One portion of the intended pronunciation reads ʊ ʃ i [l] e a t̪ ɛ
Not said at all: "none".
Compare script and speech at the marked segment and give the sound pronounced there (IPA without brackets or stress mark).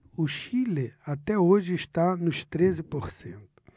l